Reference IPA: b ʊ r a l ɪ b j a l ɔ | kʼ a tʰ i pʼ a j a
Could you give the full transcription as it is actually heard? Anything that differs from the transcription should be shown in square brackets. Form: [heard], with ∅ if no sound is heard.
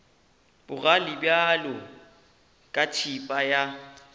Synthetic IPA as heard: b ʊ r a l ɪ b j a l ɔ | kʼ a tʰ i pʼ a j a